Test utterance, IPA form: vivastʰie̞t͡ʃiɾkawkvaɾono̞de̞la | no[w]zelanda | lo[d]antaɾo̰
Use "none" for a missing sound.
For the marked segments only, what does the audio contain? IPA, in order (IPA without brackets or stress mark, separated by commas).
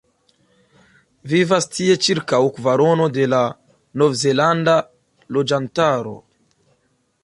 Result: v, d͡ʒ